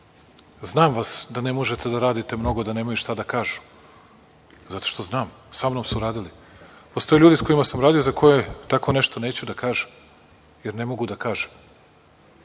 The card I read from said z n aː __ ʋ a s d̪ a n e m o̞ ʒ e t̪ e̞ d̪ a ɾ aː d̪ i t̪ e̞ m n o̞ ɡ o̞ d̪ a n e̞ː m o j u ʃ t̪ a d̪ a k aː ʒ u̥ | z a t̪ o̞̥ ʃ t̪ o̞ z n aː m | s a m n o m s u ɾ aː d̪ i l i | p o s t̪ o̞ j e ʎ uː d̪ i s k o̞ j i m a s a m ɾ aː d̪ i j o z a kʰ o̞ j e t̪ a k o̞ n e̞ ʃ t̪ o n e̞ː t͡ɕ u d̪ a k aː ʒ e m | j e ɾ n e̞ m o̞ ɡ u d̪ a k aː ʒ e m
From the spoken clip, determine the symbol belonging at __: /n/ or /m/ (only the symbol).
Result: m